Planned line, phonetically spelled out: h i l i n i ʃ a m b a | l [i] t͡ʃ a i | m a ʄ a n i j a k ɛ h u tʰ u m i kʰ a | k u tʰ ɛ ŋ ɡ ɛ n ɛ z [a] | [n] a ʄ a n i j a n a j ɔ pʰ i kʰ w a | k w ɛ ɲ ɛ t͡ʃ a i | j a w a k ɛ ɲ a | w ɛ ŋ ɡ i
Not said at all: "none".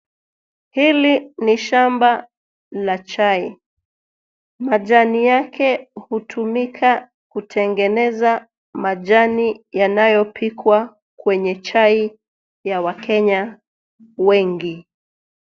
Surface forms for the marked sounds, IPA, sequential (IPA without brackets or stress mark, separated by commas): a, a, m